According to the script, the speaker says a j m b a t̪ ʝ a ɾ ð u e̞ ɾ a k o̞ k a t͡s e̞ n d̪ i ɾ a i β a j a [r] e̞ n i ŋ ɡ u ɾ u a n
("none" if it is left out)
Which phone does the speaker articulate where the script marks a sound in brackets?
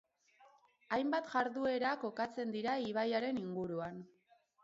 ɾ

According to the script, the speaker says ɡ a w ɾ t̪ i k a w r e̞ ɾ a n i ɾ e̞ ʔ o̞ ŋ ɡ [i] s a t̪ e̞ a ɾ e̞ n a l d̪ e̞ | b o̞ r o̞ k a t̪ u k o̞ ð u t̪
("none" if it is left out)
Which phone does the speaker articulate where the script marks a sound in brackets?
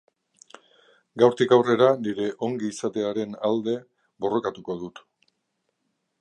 iː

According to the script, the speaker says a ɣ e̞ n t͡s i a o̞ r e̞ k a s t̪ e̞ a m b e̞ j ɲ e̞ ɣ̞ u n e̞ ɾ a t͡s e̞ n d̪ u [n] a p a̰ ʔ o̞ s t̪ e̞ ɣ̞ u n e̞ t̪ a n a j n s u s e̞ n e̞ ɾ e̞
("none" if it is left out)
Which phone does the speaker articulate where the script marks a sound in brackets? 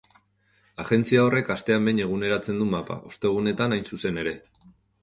m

